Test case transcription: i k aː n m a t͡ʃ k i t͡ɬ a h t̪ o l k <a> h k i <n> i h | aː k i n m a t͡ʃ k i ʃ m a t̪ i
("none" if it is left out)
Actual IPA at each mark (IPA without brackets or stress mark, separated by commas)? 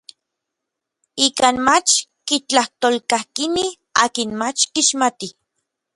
a, n